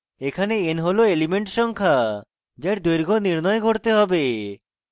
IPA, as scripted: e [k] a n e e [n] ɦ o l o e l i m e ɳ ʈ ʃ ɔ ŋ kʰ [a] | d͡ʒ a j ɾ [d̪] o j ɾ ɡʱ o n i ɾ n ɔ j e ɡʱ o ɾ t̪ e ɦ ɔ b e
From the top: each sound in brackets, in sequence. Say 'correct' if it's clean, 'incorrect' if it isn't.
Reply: incorrect, correct, correct, correct

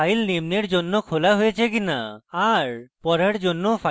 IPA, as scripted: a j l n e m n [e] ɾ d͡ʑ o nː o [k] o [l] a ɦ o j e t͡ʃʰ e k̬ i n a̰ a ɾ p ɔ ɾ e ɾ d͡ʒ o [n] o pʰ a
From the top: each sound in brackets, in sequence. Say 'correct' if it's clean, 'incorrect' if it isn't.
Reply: correct, incorrect, correct, incorrect

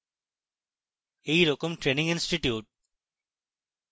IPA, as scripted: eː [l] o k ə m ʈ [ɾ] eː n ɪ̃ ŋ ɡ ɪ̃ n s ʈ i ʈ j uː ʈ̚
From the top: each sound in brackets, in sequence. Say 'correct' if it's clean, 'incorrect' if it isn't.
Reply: incorrect, correct

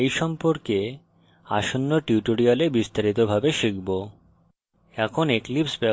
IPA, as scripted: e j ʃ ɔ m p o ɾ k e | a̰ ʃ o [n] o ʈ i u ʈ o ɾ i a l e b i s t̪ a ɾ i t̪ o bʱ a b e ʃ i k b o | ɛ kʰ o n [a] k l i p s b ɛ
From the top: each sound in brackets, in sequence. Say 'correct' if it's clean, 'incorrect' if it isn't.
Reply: incorrect, incorrect

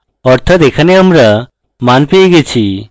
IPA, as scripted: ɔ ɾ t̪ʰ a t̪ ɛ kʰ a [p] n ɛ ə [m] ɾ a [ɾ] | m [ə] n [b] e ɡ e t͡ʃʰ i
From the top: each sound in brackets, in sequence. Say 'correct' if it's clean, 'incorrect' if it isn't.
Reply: incorrect, correct, incorrect, incorrect, incorrect

